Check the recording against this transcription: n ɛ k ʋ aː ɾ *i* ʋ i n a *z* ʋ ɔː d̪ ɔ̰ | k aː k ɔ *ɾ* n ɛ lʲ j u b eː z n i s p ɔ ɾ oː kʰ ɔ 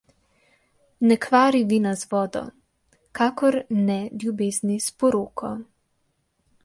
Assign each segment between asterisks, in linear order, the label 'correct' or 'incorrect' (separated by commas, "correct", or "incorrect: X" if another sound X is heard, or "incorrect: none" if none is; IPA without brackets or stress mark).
correct, correct, correct